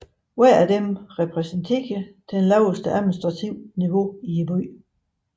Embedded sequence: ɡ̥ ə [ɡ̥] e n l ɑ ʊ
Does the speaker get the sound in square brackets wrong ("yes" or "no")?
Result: yes